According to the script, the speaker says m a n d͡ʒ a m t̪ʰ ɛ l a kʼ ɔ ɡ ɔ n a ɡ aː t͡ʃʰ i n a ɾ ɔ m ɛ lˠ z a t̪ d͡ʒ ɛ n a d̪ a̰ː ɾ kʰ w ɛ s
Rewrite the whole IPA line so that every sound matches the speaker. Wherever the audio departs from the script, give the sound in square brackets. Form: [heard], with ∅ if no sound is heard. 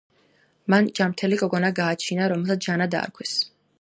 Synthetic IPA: m a n d͡ʒ a m t̪ʰ ɛ l [i] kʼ ɔ ɡ ɔ n a ɡ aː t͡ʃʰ i n a ɾ ɔ m ɛ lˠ [s] a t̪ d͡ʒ [a] n a d̪ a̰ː ɾ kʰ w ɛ s